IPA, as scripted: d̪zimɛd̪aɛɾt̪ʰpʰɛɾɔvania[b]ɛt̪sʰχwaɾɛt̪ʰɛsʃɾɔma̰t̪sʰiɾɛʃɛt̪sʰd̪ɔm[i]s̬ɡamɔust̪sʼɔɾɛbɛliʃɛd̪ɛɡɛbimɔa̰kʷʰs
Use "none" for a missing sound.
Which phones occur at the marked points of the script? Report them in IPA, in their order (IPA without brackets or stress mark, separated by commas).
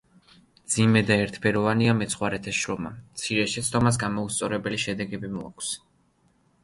m, a